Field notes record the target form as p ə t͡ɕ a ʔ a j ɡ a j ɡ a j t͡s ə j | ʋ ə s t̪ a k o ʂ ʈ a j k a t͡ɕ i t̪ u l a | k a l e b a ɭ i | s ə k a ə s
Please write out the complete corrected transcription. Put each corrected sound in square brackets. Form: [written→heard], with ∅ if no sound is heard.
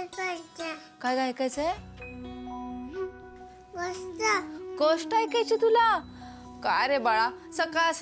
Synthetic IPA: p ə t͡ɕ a [ʔ→k] a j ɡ a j [ɡ→k] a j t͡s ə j | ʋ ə s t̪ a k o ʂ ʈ a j k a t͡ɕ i t̪ u l a | k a [l→ɾ] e b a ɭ [i→a] | s ə k a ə s